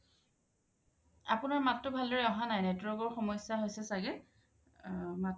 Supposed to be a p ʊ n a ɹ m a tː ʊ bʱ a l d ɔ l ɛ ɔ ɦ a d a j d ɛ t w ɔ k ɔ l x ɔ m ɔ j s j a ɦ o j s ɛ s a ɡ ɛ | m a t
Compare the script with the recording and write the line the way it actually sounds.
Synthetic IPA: a p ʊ n a ɹ m a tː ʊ bʱ a l d ɔ ɹ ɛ ɔ ɦ a n a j n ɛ t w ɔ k ɔ ɹ x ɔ m ɔ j s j a ɦ o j s ɛ s a ɡ ɛ | m a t